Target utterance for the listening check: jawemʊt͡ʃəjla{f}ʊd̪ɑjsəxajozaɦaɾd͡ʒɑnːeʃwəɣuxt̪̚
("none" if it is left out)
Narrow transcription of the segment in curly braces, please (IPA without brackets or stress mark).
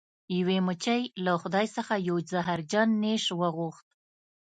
x